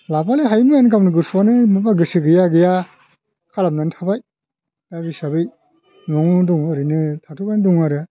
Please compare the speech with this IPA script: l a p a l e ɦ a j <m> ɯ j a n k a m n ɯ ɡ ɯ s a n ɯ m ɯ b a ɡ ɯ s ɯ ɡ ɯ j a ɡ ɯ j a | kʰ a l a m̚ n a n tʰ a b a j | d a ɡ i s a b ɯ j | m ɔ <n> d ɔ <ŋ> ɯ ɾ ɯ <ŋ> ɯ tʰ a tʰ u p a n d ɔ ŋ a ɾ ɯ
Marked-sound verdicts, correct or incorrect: correct, incorrect: ŋ, correct, incorrect: n

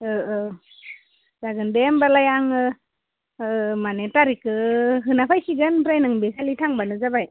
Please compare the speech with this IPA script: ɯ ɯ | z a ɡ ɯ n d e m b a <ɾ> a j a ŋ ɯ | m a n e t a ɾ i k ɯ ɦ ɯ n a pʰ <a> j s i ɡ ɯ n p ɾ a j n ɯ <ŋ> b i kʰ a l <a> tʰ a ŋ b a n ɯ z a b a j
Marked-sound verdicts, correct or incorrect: incorrect: l, correct, correct, incorrect: i

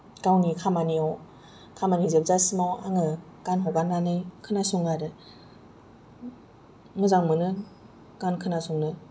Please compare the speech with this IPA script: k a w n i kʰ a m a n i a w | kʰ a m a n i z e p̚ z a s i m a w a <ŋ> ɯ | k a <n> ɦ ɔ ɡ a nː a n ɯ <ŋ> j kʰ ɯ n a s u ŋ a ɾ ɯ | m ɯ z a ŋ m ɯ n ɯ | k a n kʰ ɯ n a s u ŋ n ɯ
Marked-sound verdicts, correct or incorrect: correct, correct, incorrect: none

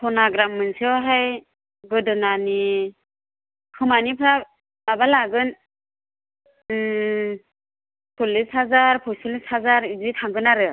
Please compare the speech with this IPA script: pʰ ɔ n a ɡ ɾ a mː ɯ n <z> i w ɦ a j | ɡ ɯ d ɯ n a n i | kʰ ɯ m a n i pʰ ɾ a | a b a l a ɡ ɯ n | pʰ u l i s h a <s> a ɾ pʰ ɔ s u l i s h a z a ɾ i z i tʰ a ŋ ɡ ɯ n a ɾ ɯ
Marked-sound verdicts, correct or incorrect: incorrect: s, incorrect: z

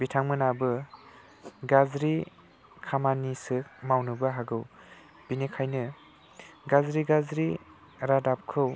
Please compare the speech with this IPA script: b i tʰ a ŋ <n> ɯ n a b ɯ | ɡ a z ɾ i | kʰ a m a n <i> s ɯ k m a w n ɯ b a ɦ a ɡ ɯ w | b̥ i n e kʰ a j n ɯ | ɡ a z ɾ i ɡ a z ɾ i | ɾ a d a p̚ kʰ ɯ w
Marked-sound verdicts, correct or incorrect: incorrect: m, correct

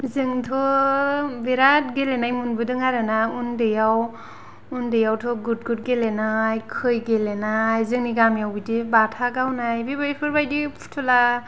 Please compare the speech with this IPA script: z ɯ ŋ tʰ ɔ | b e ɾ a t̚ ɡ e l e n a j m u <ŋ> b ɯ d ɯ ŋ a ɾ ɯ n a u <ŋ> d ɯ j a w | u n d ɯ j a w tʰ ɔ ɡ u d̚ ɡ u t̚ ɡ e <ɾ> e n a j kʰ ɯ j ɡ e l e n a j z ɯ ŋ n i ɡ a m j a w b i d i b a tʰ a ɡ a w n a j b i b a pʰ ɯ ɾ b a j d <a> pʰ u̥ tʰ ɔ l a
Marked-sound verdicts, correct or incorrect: incorrect: n, incorrect: n, incorrect: l, incorrect: i

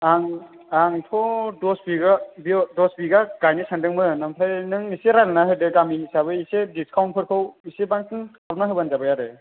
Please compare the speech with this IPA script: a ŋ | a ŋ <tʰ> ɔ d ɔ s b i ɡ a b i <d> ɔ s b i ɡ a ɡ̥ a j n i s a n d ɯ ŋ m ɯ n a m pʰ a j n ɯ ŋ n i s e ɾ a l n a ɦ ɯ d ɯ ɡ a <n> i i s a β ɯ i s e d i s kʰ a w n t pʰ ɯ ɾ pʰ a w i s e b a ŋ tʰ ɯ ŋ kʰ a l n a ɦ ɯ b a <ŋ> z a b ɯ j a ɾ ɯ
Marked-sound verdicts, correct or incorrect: correct, correct, incorrect: m, incorrect: n

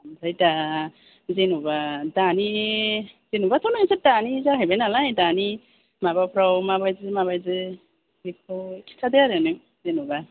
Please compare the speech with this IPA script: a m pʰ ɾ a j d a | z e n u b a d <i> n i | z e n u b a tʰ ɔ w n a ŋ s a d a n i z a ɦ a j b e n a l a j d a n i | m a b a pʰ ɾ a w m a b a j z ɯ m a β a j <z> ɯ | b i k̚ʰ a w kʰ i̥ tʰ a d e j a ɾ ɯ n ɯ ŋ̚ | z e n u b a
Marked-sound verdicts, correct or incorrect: incorrect: a, correct

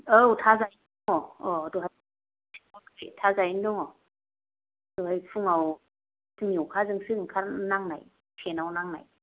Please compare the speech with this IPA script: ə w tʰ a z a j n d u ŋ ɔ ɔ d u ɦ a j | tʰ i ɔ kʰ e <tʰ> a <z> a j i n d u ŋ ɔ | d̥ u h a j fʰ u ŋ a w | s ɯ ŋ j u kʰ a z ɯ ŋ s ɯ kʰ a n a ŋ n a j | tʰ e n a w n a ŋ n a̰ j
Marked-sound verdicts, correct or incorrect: correct, correct

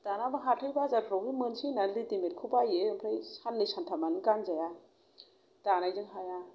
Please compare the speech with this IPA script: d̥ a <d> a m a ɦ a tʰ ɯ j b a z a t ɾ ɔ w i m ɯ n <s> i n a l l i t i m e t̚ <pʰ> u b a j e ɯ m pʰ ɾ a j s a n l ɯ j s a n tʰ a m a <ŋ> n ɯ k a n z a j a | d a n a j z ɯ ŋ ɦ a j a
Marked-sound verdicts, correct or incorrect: incorrect: n, correct, incorrect: kʰ, incorrect: none

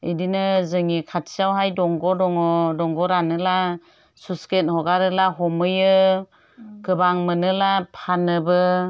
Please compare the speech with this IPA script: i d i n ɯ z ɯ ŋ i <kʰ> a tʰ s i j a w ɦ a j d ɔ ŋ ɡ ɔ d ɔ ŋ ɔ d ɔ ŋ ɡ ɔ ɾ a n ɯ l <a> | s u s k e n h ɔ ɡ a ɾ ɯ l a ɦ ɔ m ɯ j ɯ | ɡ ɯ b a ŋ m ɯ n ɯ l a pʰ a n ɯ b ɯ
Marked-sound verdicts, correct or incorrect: correct, correct

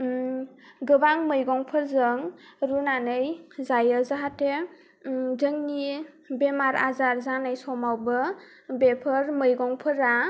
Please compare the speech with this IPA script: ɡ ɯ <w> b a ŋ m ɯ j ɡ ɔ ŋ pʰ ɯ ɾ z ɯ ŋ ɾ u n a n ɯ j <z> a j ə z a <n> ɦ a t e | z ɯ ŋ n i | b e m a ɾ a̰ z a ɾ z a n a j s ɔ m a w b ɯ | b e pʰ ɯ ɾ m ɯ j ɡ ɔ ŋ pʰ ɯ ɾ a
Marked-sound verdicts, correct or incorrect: incorrect: none, correct, incorrect: none

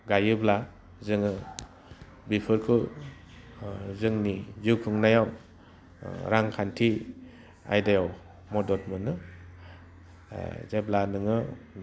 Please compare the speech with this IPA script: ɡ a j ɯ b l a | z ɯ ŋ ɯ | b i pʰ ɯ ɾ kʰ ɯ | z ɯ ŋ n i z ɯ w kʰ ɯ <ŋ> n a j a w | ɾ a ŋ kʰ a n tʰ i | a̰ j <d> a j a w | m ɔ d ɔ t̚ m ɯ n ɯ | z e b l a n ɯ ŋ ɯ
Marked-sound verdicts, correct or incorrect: correct, correct

